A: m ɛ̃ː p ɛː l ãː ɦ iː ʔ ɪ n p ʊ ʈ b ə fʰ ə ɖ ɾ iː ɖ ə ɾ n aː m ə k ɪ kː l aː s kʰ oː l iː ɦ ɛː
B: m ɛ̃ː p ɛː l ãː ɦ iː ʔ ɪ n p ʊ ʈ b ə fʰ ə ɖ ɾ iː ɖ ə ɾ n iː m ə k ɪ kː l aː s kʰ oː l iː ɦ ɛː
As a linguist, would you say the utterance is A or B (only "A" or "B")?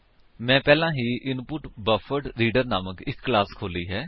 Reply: A